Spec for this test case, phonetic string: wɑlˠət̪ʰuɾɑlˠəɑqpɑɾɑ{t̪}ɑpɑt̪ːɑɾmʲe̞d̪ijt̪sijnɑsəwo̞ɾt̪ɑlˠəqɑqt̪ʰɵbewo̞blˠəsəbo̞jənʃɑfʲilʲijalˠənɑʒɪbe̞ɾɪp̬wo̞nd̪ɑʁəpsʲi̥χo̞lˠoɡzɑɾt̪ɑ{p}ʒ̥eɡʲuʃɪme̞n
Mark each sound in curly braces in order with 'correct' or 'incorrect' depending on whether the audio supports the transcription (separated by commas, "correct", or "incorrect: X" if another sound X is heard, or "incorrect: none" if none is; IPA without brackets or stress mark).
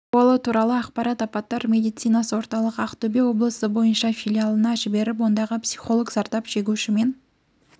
correct, correct